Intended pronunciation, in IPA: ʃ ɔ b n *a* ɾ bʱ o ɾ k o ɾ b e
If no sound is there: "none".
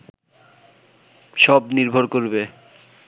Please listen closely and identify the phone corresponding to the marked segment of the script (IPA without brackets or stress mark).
i